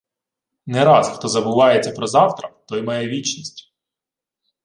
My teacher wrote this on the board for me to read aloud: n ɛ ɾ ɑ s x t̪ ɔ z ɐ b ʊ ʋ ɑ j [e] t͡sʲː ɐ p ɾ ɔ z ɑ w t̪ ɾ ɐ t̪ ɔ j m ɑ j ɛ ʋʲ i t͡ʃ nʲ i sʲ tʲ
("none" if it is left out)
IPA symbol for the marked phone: e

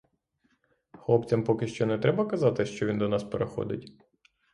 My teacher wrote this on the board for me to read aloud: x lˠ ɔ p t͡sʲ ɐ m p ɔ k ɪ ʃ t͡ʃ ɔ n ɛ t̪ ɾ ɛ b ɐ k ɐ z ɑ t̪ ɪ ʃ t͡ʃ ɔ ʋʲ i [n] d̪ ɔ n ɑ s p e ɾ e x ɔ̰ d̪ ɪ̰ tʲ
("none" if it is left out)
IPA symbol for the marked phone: n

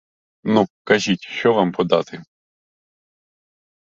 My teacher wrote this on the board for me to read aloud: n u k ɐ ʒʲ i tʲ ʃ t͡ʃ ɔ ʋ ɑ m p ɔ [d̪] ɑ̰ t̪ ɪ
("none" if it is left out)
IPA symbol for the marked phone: d̪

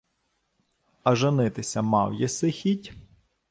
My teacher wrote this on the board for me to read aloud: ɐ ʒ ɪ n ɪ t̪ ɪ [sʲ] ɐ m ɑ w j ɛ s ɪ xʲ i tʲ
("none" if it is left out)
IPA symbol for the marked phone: sʲ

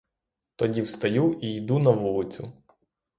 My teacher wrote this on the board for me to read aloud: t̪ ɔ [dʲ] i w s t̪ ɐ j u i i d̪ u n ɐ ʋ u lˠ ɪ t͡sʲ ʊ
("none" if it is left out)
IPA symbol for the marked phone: dʲ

